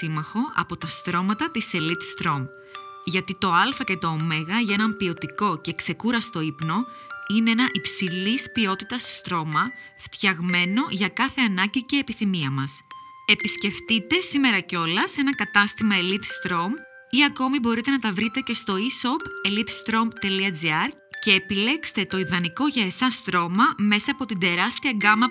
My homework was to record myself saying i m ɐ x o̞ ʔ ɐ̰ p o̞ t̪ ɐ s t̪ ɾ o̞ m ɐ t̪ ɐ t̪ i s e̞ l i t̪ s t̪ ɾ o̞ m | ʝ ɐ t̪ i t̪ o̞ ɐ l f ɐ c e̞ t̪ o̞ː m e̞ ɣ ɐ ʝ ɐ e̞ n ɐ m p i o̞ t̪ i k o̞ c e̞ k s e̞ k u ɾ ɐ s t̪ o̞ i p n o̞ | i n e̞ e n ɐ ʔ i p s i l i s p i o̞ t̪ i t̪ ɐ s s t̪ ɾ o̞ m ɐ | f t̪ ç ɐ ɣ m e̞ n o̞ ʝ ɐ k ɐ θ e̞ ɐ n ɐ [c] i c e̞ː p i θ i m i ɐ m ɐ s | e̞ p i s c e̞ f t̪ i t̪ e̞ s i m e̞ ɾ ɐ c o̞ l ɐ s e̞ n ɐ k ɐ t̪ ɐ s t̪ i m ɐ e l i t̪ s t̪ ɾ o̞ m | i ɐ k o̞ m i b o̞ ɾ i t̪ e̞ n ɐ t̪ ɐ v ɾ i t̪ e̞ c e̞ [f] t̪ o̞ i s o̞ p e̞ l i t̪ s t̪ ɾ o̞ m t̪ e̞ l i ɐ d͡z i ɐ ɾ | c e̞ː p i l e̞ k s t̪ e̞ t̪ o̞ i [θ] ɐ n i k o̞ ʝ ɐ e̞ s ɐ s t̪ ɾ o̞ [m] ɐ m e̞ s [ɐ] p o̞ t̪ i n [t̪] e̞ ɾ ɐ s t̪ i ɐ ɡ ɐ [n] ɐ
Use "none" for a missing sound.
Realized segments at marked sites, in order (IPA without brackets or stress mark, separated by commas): ɟ, s, ð, m, ɐː, d̪, m